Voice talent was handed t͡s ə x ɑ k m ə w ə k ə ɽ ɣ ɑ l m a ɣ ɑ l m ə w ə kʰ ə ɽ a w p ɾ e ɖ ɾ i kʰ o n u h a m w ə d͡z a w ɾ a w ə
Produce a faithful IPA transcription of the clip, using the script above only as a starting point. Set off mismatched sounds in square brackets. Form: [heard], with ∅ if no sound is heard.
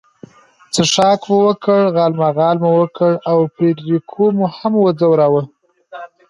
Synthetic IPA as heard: t͡s ə [ʂ] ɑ k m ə w ə k ə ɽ ɣ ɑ l m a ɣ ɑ l m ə w ə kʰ ə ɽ a w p ɾ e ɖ ɾ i kʰ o [m] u h a m w ə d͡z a w ɾ a w ə

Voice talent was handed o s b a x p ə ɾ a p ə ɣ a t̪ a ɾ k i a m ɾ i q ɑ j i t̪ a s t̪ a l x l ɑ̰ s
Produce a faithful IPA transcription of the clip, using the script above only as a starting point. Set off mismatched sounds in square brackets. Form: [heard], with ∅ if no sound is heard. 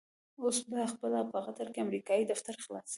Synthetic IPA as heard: o s b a x p ə [l] a p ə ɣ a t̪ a ɾ k [e] a m ɾ i [k] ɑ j i [d̪] a [f] t̪ a [ɾ] x l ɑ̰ s

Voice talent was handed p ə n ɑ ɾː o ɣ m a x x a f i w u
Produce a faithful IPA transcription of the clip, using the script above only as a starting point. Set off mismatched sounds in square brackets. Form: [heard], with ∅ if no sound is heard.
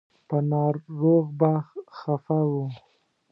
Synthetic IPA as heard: p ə n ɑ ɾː o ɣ [b] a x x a f [a] w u

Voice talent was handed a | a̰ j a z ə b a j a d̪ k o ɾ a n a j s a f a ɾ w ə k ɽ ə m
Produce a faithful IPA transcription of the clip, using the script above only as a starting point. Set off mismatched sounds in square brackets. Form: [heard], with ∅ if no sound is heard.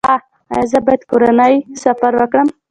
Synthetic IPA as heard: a | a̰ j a z ə b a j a d̪ k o ɾ a n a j s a f a ɾ w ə k ɽ ə m

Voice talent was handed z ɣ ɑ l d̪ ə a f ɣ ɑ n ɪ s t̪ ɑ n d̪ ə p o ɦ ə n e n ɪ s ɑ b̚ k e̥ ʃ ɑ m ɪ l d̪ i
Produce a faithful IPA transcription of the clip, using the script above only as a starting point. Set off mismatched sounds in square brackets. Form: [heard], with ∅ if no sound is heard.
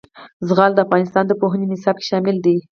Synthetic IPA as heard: z ɣ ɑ l d̪ ə a f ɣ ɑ n ɪ s t̪ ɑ n d̪ ə p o ɦ ə n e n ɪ s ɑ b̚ k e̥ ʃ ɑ m ɪ l d̪ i

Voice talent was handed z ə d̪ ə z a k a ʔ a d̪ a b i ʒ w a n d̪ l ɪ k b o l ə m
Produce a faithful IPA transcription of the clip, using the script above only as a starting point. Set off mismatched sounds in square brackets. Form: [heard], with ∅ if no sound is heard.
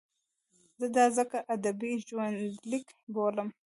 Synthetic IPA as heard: z ə d̪ [ɑ] z [ə] k a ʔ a d̪ a b i ʒ w a n d̪ l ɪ k b o l ə m

